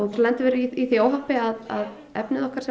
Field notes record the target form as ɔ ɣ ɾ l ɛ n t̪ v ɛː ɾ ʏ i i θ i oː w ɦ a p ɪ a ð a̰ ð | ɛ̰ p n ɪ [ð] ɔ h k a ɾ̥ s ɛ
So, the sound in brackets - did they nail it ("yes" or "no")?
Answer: yes